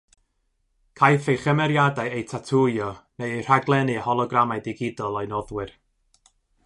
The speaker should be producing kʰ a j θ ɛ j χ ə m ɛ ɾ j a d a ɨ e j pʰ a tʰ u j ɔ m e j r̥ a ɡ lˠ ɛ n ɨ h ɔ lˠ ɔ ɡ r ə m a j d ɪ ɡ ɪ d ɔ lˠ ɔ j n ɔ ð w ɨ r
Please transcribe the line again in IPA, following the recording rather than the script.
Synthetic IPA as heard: kʰ a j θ e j χ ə m ɛ ɾ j a d a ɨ e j tʰ a tʰ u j ɔ n e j r̥ a ɡ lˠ ɛ n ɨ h ɔ lˠ ɔ ɡ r a m a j d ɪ ɡ ɪ d ɔ lˠ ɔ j n ɔ ð w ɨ r